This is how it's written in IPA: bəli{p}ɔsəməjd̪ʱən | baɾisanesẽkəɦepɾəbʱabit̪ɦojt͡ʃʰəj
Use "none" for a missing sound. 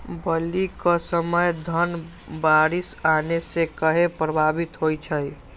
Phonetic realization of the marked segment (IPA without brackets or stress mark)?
k